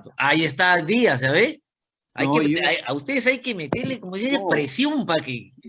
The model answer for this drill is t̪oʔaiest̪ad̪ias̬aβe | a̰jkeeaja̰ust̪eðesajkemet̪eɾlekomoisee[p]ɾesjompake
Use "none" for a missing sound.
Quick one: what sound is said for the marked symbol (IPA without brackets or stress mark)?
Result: p